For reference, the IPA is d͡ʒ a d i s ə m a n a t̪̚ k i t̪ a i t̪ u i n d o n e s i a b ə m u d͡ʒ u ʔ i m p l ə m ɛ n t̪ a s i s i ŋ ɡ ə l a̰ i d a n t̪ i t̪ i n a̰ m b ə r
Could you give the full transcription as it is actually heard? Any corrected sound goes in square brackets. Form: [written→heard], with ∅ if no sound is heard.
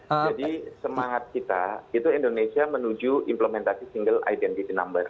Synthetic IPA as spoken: d͡ʒ a d i s ə m a [n→ŋ] a t̪̚ k i t̪ a i t̪ u i n d o n e s i a [b→m] ə [m→n] u d͡ʒ u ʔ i m p l ə m ɛ n t̪ a s i s i ŋ ɡ ə l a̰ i d [a→ɛ] n t̪ i t̪ i n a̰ m b ə r

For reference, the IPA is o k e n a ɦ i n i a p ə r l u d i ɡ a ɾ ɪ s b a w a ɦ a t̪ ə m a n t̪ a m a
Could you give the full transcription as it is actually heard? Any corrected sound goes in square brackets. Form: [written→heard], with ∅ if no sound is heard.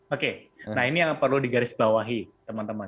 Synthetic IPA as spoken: o k e n a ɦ i n i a p ə r l u d i ɡ a ɾ ɪ s b a w a ɦ [a→i] t̪ ə m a n t̪ [a→ə] m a

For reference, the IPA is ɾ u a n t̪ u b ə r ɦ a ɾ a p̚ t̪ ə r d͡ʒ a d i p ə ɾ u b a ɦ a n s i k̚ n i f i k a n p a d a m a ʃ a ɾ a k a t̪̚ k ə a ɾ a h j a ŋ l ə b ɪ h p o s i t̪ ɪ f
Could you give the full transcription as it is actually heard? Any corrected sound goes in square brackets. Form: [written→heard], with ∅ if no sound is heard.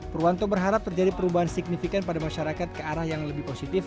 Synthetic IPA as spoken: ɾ u a n t̪ [u→o] b ə r ɦ a ɾ a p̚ t̪ ə r d͡ʒ a d i p ə ɾ u b a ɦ a n s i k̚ n i f i k a n p a d a m a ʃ a ɾ a k a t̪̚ k ə a ɾ a h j a ŋ l ə b ɪ h p o s i t̪ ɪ f

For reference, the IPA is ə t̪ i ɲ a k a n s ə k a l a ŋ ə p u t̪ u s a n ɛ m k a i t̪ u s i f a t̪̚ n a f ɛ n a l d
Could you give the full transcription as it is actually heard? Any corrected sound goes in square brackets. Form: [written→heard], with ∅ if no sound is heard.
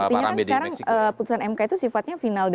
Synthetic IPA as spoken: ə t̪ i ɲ a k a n s ə k a [l→ɾ] a ŋ ə p u t̪ u s a n ɛ m k a i t̪ u s i f a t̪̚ [n→ɲ] a f [ɛ→i] n a l d

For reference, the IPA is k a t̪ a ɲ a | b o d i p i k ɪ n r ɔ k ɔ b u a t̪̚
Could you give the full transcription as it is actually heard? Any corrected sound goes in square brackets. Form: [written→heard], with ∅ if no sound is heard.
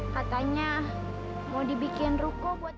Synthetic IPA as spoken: k a t̪ a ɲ a | [b→m] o d i [p→b] i k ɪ n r [ɔ→u] k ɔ b u a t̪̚

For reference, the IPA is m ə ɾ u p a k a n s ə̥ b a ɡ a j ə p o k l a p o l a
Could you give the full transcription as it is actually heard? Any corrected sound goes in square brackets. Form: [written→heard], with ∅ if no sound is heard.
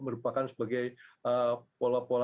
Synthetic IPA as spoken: m ə ɾ u p a k a n s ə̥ b a ɡ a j ə p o [k→∅] l a p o l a

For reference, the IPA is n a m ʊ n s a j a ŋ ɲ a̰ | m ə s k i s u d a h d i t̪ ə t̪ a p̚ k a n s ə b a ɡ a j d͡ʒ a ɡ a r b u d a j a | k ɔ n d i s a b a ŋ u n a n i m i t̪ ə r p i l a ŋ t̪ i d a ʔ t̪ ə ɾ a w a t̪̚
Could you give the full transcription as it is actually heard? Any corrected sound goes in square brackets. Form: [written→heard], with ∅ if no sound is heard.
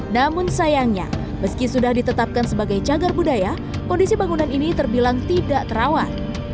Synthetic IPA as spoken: n a m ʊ n s a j a ŋ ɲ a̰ | m ə s k i s u d a h d i t̪ ə t̪ a p̚ k a n s ə b a ɡ a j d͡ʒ a ɡ a r b u d a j a | k ɔ n d i s [a→i] b a ŋ u n a n i [m→n] i t̪ ə r [p→b] i l a ŋ t̪ i d a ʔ t̪ ə ɾ a w a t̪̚

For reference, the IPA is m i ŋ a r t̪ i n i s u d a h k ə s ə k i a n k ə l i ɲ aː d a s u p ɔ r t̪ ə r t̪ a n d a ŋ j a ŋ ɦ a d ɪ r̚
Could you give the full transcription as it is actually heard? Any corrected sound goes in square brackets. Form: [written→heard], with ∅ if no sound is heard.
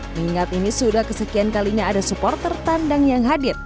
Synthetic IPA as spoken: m i ŋ a [r→∅] t̪ i n i s u d a h k ə s ə k i a n k [ə→a] l i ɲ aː d a s u p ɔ r t̪ ə r t̪ a n d a ŋ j a ŋ ɦ a d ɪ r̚

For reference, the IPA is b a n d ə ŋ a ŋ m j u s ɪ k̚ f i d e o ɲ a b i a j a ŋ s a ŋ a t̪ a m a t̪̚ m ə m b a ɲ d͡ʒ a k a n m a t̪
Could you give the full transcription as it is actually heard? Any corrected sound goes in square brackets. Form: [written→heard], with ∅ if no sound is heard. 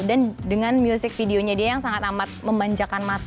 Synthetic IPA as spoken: [b→d] a n d ə ŋ a [ŋ→n] m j u s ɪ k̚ f i d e o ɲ a [b→d] i a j a ŋ s a ŋ a t̪ a m a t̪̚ m ə m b a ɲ d͡ʒ a k a n m a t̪

